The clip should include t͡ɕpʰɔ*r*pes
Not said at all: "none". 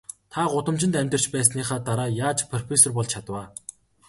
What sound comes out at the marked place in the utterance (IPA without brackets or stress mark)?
r